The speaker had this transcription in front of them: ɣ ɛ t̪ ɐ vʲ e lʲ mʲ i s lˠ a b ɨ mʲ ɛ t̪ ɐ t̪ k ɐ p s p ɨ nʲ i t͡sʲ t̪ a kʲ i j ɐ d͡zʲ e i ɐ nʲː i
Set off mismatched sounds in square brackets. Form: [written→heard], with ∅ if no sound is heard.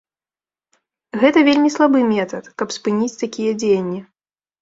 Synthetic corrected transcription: ɣ ɛ t̪ ɐ vʲ e lʲ mʲ i s lˠ a b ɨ mʲ ɛ t̪ ɐ t̪ k ɐ p s p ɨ nʲ i t͡sʲ t̪ a kʲ i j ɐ d͡zʲ e [i→j] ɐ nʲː i